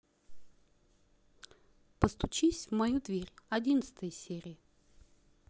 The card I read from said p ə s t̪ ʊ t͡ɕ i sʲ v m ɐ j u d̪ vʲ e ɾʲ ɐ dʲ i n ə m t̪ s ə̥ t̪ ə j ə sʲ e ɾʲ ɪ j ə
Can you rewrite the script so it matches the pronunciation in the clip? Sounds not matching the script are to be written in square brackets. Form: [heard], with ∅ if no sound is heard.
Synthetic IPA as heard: p ə s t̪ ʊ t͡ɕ i sʲ v m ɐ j u d̪ vʲ e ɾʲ ɐ dʲ i n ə [∅] t̪ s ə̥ t̪ ə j ə sʲ e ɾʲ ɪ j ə